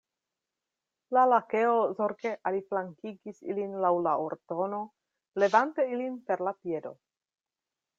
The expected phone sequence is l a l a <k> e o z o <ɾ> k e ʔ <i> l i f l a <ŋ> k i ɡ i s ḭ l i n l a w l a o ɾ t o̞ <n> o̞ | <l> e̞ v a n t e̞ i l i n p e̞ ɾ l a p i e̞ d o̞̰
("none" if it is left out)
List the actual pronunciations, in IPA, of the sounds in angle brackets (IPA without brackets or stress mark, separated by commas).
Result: k, ɾ, a, ŋ, n, l